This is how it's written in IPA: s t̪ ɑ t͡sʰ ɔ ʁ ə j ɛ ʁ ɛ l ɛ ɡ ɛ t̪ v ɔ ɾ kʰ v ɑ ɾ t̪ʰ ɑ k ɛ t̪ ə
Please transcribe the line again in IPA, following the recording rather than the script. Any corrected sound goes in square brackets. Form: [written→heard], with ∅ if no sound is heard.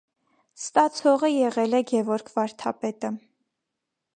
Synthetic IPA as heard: s t̪ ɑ t͡sʰ ɔ ʁ ə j ɛ ʁ ɛ l ɛ ɡ ɛ [t̪→∅] v ɔ ɾ kʰ v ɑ ɾ t̪ʰ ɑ [k→p] ɛ t̪ ə